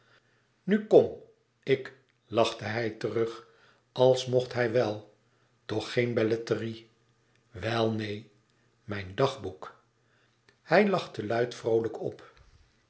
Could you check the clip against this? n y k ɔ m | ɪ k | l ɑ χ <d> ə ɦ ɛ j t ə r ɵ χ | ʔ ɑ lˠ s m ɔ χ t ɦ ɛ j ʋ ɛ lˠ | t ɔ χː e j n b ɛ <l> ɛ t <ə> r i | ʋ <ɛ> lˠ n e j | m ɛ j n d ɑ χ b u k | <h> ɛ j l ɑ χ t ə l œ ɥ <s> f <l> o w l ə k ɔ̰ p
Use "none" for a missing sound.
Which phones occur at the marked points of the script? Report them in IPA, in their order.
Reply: t, l, ə, ɛ, h, t, r

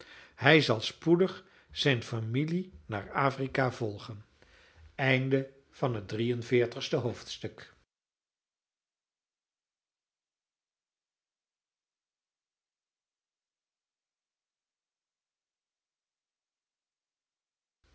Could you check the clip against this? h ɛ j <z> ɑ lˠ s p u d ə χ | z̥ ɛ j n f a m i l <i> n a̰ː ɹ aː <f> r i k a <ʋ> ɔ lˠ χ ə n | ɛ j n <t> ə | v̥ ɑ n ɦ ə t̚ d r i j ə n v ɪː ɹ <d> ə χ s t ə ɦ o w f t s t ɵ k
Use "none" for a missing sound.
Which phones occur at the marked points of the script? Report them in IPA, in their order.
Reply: z, i, f, v, d, t

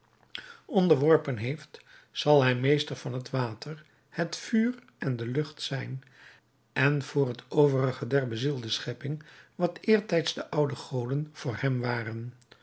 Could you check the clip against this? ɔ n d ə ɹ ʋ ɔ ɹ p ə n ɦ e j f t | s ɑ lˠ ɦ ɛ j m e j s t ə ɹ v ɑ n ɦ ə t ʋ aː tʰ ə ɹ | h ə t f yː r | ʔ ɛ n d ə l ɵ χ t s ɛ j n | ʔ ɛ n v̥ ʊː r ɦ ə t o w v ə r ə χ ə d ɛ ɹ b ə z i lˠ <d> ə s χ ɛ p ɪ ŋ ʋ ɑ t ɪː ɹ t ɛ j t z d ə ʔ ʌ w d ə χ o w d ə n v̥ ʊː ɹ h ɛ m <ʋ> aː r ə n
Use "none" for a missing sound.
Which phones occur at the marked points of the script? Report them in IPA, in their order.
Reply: d, ʋ

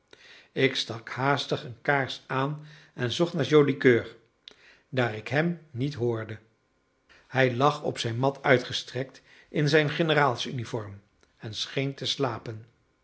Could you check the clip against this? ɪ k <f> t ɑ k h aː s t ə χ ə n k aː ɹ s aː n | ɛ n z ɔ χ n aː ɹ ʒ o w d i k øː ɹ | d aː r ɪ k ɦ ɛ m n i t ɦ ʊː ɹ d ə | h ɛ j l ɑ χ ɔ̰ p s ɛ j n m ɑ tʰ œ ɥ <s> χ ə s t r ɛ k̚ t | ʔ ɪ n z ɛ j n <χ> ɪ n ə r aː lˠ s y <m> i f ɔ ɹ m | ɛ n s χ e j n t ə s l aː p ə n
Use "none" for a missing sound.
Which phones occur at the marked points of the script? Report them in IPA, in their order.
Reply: s, t, χ, n

